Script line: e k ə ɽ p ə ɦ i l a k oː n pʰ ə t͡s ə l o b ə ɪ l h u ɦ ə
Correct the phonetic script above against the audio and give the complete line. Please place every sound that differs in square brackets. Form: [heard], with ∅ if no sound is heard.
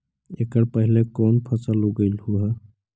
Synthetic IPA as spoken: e k ə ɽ p ə ɦ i l [e] k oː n pʰ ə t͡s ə l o [ɡ] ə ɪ l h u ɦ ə